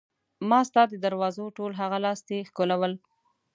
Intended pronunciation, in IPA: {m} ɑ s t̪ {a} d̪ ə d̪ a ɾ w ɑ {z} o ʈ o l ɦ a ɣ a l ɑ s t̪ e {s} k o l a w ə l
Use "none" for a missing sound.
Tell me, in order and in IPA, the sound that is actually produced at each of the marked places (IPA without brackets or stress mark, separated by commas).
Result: m, ɑ, z, x